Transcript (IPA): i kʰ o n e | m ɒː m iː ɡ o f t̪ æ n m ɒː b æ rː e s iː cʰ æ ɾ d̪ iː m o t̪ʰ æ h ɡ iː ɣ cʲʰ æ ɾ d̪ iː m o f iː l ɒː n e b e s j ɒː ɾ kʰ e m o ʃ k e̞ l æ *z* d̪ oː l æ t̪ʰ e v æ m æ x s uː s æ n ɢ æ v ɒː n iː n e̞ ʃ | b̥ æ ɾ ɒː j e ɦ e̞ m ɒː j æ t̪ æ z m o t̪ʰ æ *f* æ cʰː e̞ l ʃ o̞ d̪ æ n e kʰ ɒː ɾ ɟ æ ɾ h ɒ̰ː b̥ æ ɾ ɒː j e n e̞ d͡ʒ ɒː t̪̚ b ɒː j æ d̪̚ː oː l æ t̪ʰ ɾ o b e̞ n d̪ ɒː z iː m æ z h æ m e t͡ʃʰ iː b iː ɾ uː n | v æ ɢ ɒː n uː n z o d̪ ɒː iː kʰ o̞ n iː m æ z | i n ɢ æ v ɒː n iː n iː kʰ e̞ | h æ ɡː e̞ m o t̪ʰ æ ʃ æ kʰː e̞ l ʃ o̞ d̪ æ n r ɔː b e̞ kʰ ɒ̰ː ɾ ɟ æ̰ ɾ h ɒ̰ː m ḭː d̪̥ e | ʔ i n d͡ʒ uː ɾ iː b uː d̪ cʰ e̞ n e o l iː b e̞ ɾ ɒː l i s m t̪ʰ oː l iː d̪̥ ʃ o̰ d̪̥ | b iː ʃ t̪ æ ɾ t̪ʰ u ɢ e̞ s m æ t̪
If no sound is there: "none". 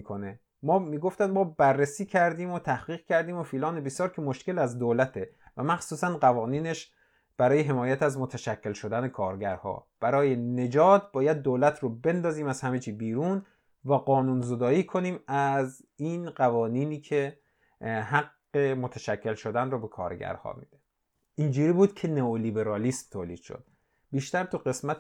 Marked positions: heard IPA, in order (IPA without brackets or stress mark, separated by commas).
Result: z, ʃ